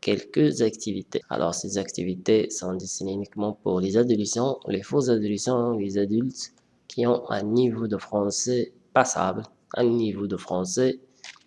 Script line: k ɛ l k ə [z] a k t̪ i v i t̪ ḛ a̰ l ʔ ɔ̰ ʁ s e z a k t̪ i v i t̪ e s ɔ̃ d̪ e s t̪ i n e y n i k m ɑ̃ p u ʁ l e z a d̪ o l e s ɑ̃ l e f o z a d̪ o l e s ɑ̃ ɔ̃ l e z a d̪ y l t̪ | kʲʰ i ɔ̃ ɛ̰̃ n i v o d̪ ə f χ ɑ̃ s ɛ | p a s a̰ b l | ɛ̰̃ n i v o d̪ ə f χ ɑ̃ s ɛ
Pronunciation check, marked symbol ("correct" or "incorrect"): correct